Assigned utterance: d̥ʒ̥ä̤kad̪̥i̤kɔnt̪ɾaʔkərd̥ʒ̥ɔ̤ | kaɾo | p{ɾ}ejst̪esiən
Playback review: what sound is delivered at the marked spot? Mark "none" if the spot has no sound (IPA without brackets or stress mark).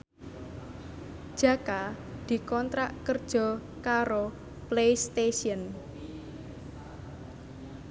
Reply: l